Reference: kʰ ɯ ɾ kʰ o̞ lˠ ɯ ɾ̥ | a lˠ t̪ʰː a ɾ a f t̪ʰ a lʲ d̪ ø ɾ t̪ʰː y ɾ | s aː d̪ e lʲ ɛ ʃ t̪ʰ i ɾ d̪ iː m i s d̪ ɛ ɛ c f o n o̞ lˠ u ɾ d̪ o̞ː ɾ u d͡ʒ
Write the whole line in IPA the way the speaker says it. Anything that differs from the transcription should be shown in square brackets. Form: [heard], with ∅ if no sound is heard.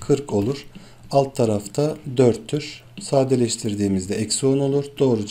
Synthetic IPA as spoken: kʰ ɯ ɾ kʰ o̞ lˠ [u] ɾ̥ | a lˠ t̪ʰː a ɾ a f t̪ʰ a [∅] d̪ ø ɾ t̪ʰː y ɾ | s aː d̪ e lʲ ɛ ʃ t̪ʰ i ɾ d̪ iː m i [z] d̪ ɛ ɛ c [s] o n o̞ lˠ u ɾ d̪ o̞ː ɾ u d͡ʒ